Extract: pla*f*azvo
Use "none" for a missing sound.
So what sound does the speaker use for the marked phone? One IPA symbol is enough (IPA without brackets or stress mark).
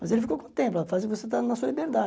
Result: f